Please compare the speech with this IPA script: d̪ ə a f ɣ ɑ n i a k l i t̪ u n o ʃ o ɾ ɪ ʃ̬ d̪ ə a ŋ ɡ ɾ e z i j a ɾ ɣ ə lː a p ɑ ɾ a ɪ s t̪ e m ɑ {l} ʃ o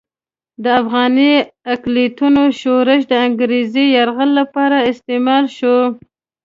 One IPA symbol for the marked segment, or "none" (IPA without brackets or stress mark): l